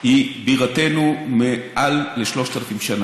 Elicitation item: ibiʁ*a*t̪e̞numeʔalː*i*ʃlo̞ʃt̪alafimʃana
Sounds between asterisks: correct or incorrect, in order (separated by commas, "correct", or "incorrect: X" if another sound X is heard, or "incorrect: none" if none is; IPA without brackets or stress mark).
correct, incorrect: e